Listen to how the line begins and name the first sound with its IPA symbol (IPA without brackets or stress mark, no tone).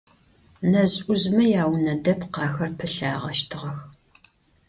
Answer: n